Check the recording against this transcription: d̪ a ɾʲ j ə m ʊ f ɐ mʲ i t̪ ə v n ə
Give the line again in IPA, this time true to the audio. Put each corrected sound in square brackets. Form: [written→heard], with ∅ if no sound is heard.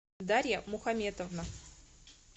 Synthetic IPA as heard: d̪ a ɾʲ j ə m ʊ [f→x] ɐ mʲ [i→e] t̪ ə v n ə